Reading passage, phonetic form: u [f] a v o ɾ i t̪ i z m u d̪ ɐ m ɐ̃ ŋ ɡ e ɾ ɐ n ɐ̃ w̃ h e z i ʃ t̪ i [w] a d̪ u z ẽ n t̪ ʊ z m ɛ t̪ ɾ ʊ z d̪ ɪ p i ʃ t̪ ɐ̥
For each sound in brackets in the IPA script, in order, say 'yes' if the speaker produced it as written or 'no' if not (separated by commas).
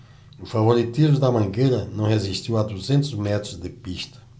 yes, yes